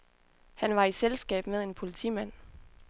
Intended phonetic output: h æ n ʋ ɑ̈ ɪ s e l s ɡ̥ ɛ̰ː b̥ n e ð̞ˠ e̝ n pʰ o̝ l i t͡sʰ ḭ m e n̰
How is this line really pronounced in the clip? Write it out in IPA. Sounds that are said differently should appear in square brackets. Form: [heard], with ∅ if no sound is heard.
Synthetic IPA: h æ n ʋ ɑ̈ [i] s e l s ɡ̥ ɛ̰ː b̥ [m] e ð̞ˠ e̝ n pʰ o̝ l i t͡sʰ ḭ m [æ] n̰